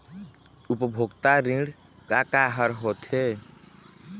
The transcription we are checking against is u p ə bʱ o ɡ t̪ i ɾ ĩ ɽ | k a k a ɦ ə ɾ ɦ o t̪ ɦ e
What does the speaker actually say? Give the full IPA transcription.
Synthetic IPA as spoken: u p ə bʱ o ɡ t̪ a ɾ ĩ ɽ | k a k a ɦ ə ɾ ɦ o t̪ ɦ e